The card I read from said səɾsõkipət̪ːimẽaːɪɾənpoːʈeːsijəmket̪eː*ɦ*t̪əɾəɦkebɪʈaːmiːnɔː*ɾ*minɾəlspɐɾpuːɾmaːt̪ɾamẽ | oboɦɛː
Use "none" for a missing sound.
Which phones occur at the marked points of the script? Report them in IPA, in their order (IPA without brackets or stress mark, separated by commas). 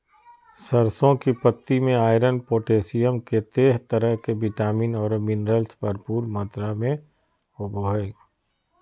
ɦ, ɾ